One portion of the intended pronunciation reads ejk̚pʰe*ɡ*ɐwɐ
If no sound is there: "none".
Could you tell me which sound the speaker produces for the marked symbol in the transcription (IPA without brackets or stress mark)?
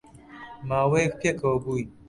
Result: k